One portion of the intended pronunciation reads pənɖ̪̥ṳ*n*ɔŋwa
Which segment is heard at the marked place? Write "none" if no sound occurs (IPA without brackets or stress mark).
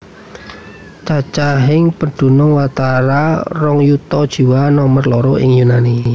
n